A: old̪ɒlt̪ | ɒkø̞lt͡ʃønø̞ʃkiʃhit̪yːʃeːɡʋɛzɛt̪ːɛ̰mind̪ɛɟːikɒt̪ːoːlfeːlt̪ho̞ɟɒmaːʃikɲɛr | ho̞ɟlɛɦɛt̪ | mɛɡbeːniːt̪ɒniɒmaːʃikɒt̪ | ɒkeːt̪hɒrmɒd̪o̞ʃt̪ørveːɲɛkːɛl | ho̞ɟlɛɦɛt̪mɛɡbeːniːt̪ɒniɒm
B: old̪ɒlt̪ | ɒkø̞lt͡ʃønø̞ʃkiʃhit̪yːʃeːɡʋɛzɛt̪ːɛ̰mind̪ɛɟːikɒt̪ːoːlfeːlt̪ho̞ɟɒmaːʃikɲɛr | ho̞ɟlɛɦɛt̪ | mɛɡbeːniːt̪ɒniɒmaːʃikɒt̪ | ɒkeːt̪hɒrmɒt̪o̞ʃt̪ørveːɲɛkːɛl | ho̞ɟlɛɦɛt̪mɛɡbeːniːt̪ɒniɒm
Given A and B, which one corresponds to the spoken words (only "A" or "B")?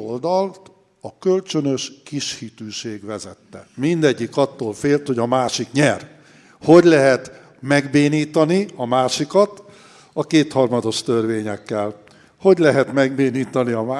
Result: A